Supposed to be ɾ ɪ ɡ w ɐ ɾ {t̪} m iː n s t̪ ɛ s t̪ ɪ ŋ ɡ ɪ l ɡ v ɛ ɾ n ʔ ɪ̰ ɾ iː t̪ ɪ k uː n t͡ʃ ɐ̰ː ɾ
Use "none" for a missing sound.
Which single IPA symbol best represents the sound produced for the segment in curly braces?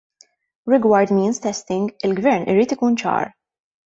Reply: d̪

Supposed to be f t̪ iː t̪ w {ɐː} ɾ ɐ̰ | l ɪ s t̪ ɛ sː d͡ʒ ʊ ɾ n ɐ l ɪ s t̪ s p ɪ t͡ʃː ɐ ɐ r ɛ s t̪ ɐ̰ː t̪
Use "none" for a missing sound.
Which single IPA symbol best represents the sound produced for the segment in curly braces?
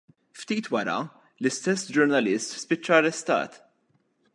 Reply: ɐ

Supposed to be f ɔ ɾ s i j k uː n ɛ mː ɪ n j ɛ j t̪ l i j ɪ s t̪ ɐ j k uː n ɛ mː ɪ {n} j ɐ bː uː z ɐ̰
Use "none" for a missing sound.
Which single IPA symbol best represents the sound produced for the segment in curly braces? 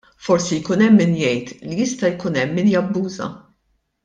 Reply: n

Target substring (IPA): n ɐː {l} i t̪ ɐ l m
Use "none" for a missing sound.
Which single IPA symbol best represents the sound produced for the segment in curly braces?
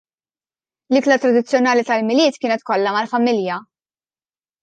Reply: l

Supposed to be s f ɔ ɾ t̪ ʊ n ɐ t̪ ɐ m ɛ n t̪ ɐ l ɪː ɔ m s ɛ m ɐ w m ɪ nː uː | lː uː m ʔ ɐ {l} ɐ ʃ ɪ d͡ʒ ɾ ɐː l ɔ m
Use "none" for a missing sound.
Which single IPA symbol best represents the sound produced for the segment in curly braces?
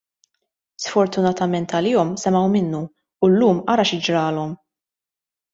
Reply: ɾ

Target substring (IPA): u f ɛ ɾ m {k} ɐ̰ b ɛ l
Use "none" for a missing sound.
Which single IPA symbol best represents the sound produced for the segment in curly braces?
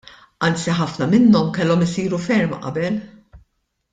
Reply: ʔ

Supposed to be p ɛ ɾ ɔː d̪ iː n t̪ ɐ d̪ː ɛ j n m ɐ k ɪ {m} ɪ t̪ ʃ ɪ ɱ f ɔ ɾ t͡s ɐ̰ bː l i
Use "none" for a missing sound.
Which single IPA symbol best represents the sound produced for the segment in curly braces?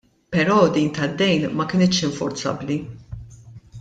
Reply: n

